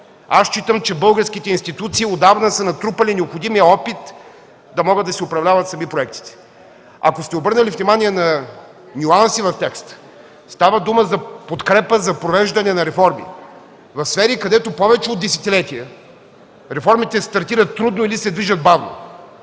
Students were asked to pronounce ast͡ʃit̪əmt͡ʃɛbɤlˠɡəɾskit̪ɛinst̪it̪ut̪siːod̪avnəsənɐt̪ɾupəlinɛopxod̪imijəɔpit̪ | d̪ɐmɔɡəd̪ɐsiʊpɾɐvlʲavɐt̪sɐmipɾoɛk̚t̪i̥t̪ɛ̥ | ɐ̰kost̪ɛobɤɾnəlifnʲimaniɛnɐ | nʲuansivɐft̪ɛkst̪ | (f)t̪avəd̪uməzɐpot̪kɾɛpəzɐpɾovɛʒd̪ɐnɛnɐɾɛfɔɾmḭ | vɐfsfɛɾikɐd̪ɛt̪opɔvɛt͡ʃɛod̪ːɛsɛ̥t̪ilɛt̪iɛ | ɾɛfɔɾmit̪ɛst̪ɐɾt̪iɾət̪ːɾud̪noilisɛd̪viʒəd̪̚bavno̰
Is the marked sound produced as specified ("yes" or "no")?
no